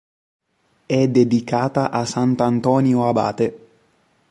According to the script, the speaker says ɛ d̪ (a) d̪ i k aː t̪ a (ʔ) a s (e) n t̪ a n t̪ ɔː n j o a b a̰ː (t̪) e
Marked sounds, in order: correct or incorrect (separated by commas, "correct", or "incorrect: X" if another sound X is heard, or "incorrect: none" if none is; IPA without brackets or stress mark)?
incorrect: e, correct, incorrect: a, correct